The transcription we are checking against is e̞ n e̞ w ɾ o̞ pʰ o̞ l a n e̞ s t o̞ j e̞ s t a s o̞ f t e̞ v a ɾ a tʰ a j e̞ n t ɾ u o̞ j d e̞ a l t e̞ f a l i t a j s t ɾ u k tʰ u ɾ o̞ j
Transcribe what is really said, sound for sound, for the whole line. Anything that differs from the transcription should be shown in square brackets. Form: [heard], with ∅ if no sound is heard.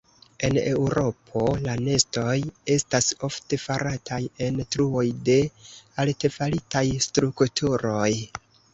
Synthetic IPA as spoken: e̞ n e̞ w ɾ o̞ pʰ o̞ l a n e̞ s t o̞ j e̞ s t a s o̞ f t e̞ [f] a ɾ a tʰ a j e̞ n t ɾ u o̞ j d e̞ a l t e̞ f a l i t a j s t ɾ u k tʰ u ɾ o̞ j